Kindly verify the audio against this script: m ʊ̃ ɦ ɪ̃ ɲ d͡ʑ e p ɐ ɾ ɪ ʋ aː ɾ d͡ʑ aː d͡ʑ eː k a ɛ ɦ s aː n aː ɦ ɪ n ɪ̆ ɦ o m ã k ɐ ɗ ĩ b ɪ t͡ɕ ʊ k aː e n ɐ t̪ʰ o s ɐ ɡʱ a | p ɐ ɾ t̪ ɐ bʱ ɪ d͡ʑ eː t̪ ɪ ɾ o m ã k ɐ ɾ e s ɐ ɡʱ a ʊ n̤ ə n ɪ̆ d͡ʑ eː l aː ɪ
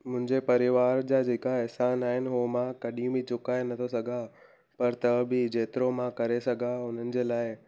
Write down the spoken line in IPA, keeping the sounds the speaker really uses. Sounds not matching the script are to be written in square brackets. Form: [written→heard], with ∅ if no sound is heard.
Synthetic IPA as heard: m ʊ̃ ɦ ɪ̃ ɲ d͡ʑ e p ɐ ɾ ɪ ʋ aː ɾ d͡ʑ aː d͡ʑ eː k a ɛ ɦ s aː n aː ɦ ɪ n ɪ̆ ɦ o m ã k ɐ ɗ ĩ b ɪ t͡ɕ ʊ k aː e n ɐ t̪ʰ o s ɐ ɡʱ a | p ɐ ɾ t̪ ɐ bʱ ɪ d͡ʑ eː t̪ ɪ ɾ o m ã k ɐ ɾ e s ɐ ɡʱ a ʊ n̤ ə n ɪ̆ d͡ʑ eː l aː ɪ

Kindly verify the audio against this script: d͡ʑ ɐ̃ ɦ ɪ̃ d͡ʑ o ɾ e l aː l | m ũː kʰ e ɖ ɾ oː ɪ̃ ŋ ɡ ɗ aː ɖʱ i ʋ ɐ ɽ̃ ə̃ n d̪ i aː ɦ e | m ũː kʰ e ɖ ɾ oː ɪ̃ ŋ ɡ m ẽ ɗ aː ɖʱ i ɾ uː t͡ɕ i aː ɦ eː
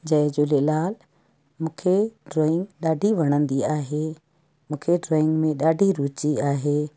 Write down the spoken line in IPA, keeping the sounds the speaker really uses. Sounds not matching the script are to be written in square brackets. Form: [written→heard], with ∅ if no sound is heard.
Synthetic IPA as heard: d͡ʑ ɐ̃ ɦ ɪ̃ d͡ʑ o [ɾ→l] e l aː l | m ũː kʰ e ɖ ɾ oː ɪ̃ ŋ ɡ ɗ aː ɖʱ i ʋ ɐ ɽ̃ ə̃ n d̪ i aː ɦ e | m ũː kʰ e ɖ ɾ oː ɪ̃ ŋ ɡ m ẽ ɗ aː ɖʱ i ɾ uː t͡ɕ i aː ɦ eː

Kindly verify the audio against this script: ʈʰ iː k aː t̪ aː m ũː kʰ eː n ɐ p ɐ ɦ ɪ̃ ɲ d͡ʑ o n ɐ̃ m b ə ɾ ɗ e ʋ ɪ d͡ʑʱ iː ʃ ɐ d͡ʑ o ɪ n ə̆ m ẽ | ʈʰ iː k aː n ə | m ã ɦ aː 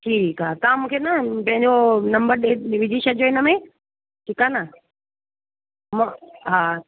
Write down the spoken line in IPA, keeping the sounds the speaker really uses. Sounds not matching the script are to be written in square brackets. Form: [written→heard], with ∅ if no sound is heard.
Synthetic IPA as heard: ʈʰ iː k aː t̪ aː m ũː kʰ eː n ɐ p [ɐ→ɐ̃] ɦ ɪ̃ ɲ d͡ʑ o n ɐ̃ m b ə ɾ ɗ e ʋ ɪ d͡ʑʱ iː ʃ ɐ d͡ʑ o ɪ n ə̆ m ẽ | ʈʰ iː k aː n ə | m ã ɦ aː

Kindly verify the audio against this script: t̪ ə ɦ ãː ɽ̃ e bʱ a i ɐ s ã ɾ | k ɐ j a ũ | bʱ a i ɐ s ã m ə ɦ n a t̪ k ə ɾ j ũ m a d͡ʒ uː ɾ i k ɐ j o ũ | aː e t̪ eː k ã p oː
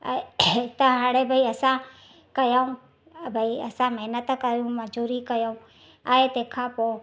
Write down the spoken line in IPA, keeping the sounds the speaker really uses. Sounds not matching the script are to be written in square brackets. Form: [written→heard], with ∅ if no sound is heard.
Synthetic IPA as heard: t̪ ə ɦ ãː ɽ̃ e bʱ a i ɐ s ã [ɾ→∅] | k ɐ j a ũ | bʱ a i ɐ s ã m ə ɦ n [a→ə] t̪ k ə ɾ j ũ m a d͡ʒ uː ɾ i k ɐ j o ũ | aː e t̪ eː [k→kʰ] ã p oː

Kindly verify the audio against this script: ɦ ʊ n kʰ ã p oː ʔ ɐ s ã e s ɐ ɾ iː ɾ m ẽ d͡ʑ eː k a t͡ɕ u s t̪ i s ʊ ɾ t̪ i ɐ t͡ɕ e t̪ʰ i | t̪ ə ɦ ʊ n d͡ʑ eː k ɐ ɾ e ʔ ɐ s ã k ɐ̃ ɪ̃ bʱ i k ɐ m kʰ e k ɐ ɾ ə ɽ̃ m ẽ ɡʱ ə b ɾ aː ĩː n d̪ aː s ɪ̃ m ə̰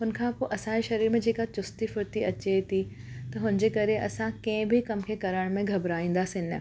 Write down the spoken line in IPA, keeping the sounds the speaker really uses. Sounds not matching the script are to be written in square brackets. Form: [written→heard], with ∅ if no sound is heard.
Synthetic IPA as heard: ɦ ʊ n kʰ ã p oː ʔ ɐ s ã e [s→ʃ] ɐ ɾ iː ɾ m ẽ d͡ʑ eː k a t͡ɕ [u→ʊ] s t̪ i [s→f] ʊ ɾ t̪ i ɐ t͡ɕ e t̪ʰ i | t̪ [ə→ɐ] ɦ ʊ n d͡ʑ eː k ɐ ɾ e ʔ ɐ s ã k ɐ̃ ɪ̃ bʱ i k ɐ m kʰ e k ɐ ɾ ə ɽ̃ m ẽ ɡʱ [ə→ɐ] b ɾ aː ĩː n d̪ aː s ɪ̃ [m→n] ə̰

